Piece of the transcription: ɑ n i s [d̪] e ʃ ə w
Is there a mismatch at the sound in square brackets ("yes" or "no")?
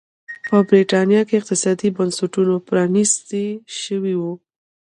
yes